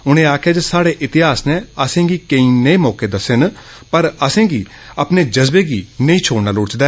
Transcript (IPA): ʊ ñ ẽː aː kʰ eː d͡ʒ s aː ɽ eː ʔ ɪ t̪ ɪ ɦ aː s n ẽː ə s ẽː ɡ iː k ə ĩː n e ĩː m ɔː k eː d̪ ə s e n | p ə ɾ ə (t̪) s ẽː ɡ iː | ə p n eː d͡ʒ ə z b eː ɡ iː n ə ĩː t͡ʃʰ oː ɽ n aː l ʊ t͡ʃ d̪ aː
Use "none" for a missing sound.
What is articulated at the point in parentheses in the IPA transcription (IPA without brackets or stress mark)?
none